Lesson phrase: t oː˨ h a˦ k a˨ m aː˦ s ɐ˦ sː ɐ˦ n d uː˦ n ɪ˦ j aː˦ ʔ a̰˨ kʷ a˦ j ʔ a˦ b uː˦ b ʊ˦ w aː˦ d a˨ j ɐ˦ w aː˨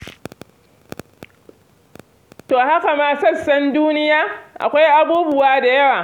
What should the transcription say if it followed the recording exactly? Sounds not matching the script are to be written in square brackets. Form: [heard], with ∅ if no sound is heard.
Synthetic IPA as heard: t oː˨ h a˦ k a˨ m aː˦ s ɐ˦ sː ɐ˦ n d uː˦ n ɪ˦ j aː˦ ʔ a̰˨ kʷ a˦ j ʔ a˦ b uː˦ b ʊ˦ w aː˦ d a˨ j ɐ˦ w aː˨